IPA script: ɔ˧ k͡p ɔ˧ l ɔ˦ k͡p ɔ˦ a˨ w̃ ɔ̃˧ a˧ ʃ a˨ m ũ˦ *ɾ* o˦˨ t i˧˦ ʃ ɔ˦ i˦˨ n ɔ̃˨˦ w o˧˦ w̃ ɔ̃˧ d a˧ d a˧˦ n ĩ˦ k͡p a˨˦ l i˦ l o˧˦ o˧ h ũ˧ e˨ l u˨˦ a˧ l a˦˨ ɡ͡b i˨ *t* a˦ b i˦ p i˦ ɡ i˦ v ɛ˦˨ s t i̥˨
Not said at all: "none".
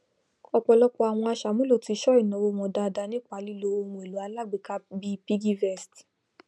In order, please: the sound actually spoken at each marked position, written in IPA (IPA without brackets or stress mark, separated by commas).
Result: l, k